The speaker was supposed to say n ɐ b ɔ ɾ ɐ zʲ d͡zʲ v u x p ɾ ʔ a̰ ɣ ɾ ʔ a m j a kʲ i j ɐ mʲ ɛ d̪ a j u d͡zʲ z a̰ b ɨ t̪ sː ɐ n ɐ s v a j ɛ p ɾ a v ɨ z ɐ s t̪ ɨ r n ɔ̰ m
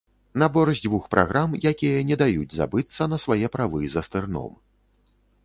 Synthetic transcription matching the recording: n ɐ b ɔ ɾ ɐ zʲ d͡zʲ v u x p ɾ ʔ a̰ ɣ ɾ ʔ a m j a kʲ i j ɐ nʲ ɛ d̪ a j u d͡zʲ z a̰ b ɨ t̪ sː ɐ n ɐ s v a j ɛ p ɾ a v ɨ z ɐ s t̪ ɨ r n ɔ̰ m

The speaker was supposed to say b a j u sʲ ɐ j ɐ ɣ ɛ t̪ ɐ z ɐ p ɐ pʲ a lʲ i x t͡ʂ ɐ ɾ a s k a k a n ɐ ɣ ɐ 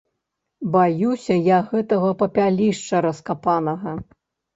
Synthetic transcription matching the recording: b a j u sʲ ɐ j a ɣ ɛ t̪ ɐ ɣ ɐ p ɐ pʲ a lʲ i ʂ t͡ʂ ɐ ɾ ɐ s k a p a n ɐ ɣ ɐ

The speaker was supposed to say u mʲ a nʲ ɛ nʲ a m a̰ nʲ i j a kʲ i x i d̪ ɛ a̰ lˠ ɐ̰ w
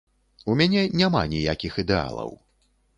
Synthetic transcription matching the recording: u mʲ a nʲ ɛ nʲ a m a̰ nʲ i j a kʲ i x i d̪ ɛ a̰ lˠ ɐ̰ w

